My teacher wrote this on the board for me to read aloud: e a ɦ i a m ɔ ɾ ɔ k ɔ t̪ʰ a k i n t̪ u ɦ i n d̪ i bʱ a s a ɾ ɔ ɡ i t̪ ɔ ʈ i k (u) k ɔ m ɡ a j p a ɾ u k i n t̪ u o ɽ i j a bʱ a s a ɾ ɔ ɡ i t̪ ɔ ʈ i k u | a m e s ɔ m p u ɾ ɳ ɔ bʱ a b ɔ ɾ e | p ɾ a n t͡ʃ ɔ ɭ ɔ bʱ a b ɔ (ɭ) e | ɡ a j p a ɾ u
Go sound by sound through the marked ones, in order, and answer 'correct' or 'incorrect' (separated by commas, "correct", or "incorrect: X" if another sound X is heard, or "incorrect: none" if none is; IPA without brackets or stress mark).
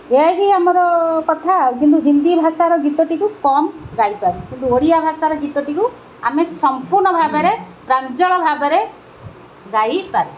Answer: correct, incorrect: ɾ